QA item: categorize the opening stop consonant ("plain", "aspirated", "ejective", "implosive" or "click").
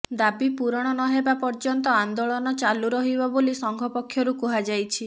plain